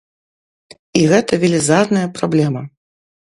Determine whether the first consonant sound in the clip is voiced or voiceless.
voiced